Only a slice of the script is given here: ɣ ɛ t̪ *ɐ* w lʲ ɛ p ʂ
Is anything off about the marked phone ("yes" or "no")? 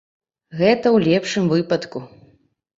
no